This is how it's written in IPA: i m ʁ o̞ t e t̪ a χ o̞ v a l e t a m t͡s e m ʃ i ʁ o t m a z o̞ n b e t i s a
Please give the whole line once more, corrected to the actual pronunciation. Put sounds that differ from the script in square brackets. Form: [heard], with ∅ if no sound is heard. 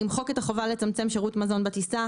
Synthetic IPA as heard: i m [χ] o̞ [k] e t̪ a χ o̞ v a l e [t͡s] a m t͡s e m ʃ [e] ʁ [u] t m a z o̞ n b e t i s a